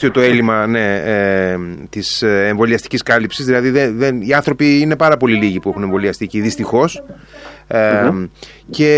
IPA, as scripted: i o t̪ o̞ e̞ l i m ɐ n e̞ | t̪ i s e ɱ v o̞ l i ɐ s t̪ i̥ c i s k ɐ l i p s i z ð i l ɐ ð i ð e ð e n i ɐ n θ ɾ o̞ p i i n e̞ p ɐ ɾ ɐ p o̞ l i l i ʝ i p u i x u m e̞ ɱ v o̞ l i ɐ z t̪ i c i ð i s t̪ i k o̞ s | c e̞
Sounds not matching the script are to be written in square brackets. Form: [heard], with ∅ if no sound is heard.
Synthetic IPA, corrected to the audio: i o t̪ o̞ e̞ l i m ɐ n e̞ | t̪ i s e ɱ v o̞ l i ɐ s t̪ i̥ c i s k ɐ l i p s i z ð i l ɐ ð i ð e ð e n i ɐ n θ ɾ o̞ p i i n e̞ p ɐ ɾ ɐ p o̞ l i l i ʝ i p u [e] x u [n] e̞ ɱ v o̞ l i ɐ [s] t̪ i c i ð i s t̪ i [x] o̞ s | c e̞